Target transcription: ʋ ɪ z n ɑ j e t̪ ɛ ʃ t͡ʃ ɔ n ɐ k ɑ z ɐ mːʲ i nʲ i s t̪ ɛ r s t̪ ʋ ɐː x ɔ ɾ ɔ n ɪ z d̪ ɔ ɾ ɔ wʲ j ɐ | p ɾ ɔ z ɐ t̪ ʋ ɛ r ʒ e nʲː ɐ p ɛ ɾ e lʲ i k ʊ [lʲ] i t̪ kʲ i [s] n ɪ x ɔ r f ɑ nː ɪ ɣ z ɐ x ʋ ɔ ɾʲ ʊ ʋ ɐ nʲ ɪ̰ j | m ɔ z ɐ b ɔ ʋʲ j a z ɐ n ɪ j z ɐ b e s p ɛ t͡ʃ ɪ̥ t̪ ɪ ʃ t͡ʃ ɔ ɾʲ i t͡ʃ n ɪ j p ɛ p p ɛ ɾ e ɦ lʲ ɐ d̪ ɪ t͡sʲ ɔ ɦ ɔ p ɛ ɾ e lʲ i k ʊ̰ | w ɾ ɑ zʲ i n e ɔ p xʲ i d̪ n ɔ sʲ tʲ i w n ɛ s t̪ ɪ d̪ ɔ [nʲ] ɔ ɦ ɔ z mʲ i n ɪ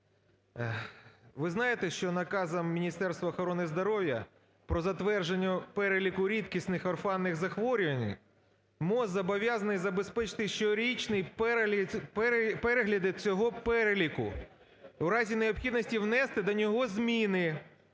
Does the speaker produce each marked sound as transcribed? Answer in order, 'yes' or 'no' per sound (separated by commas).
no, yes, yes